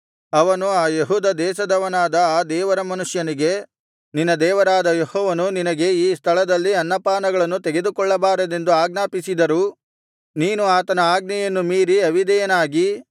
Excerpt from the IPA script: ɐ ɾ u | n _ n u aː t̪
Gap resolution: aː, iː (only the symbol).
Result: iː